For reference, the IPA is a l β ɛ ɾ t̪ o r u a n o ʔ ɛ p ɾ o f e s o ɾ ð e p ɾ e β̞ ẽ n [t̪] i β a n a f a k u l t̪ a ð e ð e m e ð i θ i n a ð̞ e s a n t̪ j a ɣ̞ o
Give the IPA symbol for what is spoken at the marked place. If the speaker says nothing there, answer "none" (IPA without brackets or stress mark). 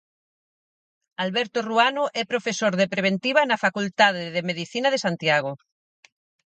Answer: t̪